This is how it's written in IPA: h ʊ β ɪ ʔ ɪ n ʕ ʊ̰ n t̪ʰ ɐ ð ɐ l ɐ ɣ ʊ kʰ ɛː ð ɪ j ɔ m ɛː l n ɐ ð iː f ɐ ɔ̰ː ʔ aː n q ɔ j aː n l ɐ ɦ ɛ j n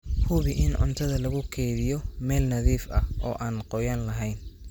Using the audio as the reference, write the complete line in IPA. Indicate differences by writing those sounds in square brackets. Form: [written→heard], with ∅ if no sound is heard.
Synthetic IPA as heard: h ʊ β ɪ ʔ ɪ n ʕ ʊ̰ n t̪ʰ ɐ ð ɐ l ɐ ɣ ʊ kʰ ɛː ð ɪ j ɔ m ɛː l n ɐ ð iː f ɐ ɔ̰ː ʔ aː n q ɔ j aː n l ɐ ɦ ɛ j n

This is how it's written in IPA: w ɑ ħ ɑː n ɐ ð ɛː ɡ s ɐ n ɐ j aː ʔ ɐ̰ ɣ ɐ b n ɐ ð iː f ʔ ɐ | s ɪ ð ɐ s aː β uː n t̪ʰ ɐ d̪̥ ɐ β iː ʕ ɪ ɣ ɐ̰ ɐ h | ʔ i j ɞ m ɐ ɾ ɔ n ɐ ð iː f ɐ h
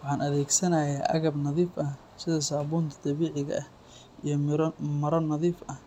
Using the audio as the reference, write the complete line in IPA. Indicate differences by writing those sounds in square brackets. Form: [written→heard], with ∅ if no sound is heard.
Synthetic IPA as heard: w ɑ ħ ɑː n ɐ ð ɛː ɡ s ɐ n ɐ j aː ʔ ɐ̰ ɣ ɐ b n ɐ ð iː f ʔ ɐ | s ɪ ð ɐ s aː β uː n t̪ʰ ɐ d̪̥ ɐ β iː ʕ ɪ ɣ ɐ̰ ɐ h | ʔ i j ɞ m ɐ ɾ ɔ n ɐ ð iː f ɐ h

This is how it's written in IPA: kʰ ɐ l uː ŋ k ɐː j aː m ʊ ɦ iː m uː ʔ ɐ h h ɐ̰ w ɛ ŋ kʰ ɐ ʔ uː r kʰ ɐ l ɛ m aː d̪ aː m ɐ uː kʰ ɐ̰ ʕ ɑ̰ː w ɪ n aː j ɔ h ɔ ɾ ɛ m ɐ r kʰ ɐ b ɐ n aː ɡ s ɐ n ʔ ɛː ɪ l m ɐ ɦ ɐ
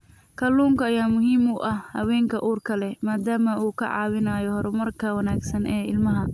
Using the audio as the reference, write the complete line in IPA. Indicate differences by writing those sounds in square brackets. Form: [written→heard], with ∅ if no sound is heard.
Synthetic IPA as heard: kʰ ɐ l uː ŋ k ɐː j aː m ʊ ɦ iː m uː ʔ ɐ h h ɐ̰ w [ɛ→ɛː] ŋ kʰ ɐ ʔ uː r kʰ ɐ l ɛ m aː d̪ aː m ɐ uː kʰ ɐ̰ ʕ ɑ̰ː w ɪ n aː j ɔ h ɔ ɾ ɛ m ɐ r kʰ ɐ [b→w] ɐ n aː ɡ s ɐ n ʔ ɛː ɪ l m ɐ ɦ ɐ

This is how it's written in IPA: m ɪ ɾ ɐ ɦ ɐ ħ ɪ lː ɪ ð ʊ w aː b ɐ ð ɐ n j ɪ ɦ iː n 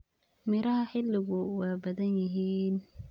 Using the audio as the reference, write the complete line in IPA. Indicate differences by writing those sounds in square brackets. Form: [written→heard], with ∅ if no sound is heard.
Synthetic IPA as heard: m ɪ ɾ ɐ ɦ ɐ ħ ɪ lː ɪ [ð→ɣ] ʊ w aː b ɐ ð ɐ n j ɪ ɦ iː n

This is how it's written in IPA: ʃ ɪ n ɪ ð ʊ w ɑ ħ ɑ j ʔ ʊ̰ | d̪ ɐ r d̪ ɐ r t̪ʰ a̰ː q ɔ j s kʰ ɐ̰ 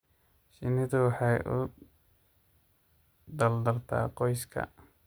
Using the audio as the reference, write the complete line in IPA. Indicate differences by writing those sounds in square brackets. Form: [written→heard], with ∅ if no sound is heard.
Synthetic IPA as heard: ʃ ɪ n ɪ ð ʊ w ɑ ħ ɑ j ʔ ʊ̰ | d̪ ɐ [r→l] d̪ ɐ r t̪ʰ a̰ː q ɔ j s kʰ ɐ̰

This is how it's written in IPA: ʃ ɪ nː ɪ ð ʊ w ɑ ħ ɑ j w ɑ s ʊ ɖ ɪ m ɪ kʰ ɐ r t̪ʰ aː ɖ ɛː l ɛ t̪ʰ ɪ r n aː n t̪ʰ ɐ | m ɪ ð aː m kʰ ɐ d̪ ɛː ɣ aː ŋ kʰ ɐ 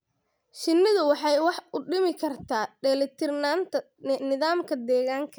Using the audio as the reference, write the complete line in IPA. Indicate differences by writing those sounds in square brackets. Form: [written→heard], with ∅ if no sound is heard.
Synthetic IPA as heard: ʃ ɪ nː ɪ ð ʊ w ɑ ħ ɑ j w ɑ [s→ħ] ʊ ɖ ɪ m ɪ kʰ ɐ r t̪ʰ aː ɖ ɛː l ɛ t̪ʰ ɪ r n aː n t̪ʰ ɐ | [m→n] ɪ ð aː m kʰ ɐ d̪ ɛː ɣ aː ŋ kʰ ɐ

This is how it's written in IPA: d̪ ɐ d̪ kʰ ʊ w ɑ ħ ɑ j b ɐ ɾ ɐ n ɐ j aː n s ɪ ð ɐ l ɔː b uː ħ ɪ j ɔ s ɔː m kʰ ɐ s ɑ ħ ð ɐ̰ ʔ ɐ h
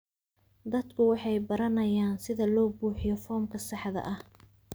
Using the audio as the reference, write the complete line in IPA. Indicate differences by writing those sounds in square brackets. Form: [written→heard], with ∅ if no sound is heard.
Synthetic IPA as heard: d̪ ɐ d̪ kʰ ʊ w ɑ ħ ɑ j b ɐ ɾ ɐ n ɐ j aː n s ɪ ð ɐ l ɔː b uː ħ ɪ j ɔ [s→f] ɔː m kʰ ɐ s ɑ ħ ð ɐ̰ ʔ ɐ h

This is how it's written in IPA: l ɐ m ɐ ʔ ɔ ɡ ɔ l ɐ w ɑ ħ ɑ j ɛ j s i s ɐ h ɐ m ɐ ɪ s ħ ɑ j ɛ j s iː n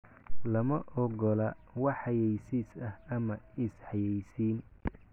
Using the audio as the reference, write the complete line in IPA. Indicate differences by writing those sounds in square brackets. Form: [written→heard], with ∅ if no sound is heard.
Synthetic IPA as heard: l ɐ m ɐ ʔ ɔ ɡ ɔ l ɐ w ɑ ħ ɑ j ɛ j s i s ɐ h ɐ m ɐ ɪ s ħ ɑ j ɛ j s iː n

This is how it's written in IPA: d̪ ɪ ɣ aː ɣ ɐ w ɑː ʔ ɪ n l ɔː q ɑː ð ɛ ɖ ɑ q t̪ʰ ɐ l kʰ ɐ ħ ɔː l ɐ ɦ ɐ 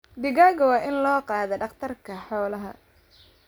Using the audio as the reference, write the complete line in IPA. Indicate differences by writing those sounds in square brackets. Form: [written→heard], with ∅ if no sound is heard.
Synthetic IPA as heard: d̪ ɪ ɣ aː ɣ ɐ w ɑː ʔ ɪ n l ɔː q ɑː ð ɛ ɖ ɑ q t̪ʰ ɐ [l→r] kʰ ɐ ħ ɔː l ɐ ɦ ɐ

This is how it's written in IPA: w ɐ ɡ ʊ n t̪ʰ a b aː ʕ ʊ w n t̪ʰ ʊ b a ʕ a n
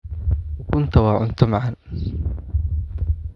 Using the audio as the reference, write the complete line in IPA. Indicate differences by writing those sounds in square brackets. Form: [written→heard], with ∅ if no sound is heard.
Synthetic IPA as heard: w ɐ [ɡ→k] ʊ n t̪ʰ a [b→w] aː ʕ ʊ [w→∅] n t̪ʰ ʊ [b→m] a ʕ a n

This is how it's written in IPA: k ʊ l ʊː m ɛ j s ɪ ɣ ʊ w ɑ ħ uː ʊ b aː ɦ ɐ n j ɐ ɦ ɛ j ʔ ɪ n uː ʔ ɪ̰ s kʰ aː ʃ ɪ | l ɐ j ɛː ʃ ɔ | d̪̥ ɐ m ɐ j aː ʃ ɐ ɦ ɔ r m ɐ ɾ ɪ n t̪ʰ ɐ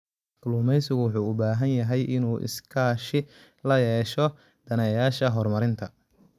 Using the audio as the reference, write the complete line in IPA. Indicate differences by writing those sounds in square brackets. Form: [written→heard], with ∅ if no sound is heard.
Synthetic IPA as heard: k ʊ l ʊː m ɛ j s ɪ ɣ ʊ w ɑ ħ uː ʊ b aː ɦ ɐ n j ɐ ɦ ɛ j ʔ ɪ n uː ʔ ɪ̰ s kʰ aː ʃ ɪ | l ɐ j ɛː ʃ ɔ | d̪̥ ɐ [m→n] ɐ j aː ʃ ɐ ɦ ɔ r m ɐ ɾ ɪ n t̪ʰ ɐ

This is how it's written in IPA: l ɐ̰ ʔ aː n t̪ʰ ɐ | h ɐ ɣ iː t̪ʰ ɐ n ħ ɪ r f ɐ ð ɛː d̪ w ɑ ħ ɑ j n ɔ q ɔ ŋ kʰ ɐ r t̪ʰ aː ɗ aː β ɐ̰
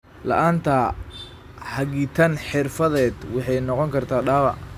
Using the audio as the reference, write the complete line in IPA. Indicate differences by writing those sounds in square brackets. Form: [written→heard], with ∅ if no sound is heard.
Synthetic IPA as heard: l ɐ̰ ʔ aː n t̪ʰ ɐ | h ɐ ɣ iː t̪ʰ ɐ n ħ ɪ r f ɐ ð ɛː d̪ w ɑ ħ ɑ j n ɔ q ɔ ŋ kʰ ɐ r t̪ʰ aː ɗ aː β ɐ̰

